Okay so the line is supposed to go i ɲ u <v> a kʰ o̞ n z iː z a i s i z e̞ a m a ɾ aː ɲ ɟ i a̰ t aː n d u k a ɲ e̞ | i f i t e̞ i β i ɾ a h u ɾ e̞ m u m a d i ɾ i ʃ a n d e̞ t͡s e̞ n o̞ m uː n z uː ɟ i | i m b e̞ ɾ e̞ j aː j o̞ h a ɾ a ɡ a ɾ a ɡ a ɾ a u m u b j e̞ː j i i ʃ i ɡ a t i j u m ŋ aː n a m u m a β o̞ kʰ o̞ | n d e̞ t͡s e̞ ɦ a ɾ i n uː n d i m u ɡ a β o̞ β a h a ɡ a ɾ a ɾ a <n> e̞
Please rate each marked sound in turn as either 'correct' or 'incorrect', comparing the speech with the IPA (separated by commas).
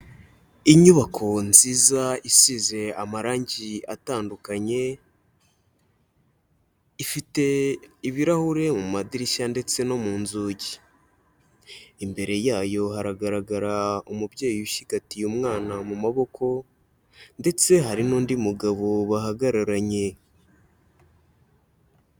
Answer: incorrect, incorrect